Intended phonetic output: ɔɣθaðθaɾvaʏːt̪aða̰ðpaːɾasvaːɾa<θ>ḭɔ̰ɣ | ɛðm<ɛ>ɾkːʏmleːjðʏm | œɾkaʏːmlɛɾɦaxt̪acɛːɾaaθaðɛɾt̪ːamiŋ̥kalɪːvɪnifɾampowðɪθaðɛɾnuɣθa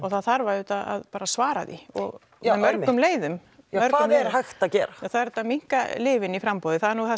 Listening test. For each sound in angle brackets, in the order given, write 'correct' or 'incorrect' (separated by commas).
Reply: incorrect, incorrect